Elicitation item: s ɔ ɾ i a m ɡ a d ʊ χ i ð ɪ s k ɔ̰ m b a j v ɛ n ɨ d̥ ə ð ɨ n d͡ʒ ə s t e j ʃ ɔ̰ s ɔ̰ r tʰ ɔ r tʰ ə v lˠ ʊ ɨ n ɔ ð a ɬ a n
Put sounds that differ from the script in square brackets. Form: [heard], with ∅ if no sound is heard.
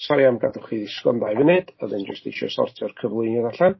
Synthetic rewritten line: s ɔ ɾ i a m ɡ a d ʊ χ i ð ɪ s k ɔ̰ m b a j v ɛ n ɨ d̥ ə ð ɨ n d͡ʒ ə s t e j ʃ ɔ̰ s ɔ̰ r tʰ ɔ r [kʰ] ə v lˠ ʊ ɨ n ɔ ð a ɬ a n